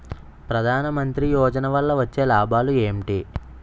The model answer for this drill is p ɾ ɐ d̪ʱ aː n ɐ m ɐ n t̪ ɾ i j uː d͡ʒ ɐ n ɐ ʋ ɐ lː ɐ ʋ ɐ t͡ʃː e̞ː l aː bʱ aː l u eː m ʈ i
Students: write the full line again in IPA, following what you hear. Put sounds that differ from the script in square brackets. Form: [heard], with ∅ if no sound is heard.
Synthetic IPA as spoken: p ɾ ɐ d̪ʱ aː n ɐ m ɐ n t̪ ɾ i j [ɔː] d͡ʒ ɐ n ɐ ʋ ɐ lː ɐ ʋ ɐ t͡ʃː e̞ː l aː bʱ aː l u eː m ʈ i